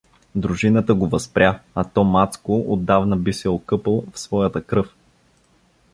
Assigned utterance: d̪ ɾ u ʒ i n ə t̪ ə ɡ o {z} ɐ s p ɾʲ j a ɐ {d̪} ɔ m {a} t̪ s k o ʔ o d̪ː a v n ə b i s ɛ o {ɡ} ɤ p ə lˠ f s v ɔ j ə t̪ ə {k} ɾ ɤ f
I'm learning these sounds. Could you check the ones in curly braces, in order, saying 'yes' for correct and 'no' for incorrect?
no, no, yes, no, yes

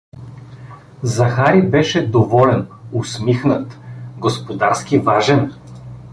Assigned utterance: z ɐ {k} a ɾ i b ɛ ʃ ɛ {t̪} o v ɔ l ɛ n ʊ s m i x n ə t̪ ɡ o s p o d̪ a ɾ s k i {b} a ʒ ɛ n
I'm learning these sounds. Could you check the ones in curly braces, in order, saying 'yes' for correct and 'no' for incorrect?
no, no, no

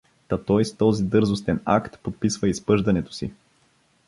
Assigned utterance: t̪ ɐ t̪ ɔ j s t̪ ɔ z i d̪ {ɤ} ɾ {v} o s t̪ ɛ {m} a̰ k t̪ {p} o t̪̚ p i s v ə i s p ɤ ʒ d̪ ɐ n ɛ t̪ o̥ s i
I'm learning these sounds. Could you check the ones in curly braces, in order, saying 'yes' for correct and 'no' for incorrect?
yes, no, no, yes

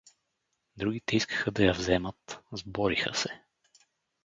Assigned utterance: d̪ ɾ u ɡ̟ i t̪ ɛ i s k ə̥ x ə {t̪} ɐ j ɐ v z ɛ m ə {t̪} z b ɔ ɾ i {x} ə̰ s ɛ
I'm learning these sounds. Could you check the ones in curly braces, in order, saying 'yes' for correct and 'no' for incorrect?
no, yes, yes

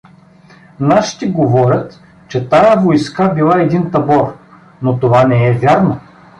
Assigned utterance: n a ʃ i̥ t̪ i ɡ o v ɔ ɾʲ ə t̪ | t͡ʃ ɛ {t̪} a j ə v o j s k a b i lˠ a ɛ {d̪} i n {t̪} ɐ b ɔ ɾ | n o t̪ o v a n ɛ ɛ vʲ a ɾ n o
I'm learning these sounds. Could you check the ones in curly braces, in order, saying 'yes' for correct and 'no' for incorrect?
yes, yes, yes

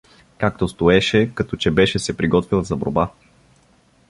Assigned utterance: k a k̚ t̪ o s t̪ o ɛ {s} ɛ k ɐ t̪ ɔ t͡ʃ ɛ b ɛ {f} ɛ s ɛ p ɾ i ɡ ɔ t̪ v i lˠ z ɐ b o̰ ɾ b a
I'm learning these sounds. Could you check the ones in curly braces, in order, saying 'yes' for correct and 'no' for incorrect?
no, no

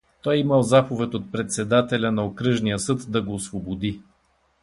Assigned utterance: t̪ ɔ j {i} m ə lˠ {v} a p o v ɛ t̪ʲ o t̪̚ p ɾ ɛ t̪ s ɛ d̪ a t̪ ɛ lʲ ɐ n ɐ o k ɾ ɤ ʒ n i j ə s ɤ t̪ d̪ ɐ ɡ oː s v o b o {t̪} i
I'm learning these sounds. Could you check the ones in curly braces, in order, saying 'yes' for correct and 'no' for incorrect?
yes, no, no

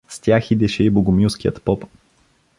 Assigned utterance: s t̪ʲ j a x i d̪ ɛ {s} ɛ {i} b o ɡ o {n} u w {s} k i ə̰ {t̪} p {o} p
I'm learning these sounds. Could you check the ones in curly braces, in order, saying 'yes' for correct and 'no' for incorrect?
no, yes, no, yes, yes, no

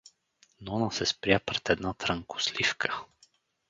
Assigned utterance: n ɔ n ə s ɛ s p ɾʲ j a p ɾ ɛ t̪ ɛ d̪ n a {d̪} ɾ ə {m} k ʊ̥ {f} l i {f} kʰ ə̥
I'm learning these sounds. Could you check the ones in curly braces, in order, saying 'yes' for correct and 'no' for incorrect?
no, no, no, yes

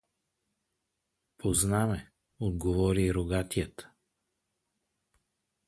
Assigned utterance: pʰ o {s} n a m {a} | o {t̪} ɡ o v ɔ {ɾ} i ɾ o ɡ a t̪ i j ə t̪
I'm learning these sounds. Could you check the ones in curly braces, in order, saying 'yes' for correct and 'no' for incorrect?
no, no, no, yes

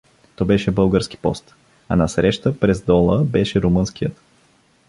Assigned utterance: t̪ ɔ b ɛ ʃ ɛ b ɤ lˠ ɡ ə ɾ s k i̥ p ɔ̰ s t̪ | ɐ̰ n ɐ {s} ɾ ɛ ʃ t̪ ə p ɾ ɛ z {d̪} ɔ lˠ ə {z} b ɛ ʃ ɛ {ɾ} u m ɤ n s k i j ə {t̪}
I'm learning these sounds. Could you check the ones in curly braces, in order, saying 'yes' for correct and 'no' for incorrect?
yes, yes, no, yes, yes

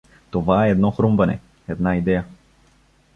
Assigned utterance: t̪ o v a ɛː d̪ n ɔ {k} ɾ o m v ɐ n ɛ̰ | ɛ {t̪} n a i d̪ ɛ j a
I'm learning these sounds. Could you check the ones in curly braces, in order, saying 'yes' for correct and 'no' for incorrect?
no, no

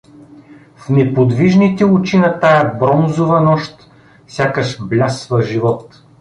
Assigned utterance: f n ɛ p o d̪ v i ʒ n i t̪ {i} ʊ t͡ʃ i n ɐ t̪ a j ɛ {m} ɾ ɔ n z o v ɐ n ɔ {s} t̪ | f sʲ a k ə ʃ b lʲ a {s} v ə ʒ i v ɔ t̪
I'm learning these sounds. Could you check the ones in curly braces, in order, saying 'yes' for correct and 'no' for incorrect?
no, no, no, yes

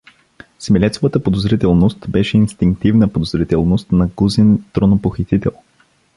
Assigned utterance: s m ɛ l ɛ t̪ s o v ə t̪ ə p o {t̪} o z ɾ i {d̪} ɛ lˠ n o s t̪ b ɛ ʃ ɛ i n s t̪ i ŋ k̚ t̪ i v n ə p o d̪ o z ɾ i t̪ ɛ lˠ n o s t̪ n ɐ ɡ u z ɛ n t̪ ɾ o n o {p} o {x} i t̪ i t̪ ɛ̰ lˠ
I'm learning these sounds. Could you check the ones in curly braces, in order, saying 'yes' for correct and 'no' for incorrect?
no, no, yes, yes

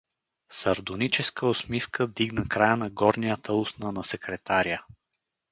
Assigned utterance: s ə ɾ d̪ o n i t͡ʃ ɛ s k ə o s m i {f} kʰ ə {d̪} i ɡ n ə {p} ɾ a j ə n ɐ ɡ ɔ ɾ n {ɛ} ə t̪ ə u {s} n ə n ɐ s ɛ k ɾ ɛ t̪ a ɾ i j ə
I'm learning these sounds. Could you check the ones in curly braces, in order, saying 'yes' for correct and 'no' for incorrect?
yes, yes, no, no, yes

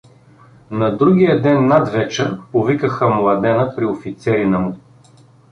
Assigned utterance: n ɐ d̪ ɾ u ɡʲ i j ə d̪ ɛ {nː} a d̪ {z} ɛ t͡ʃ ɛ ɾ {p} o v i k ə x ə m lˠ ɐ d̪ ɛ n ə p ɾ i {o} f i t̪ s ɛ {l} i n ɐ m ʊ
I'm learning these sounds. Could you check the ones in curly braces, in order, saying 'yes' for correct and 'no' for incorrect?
yes, no, yes, yes, no

